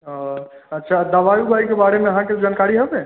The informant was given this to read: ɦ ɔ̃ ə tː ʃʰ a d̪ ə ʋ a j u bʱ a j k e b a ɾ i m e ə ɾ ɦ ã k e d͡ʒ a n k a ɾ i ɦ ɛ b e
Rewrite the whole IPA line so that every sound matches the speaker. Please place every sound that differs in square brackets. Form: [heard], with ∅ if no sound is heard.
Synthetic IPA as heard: ɦ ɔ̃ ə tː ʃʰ a d̪ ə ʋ a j u bʱ a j k e b a ɾ [e] m e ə [∅] ɦ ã k e d͡ʒ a n k a ɾ i ɦ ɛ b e